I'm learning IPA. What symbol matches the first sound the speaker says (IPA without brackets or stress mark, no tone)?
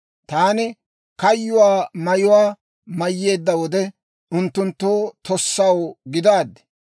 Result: t̪